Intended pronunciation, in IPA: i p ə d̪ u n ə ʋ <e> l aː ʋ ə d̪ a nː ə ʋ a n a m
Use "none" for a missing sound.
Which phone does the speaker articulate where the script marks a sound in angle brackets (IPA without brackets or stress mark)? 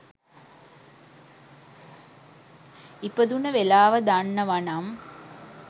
e